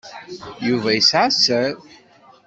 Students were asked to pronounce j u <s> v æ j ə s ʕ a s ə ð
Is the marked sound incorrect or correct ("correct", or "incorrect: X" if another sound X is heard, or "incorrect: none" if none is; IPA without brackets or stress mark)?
incorrect: none